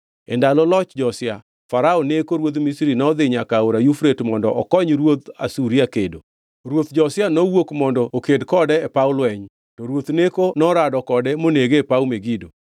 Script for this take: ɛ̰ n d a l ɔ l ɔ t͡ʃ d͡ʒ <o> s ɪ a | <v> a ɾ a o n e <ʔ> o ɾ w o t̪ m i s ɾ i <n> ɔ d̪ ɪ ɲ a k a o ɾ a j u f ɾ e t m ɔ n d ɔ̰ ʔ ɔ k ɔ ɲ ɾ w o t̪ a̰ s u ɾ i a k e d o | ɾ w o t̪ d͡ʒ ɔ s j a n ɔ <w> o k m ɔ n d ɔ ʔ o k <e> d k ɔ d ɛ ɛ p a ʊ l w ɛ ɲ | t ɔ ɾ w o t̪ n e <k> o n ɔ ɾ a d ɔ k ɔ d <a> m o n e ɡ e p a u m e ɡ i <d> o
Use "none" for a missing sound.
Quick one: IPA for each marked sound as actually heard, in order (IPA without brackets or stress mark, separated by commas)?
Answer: ɔ, f, k, n, w, e, k, ɛ, d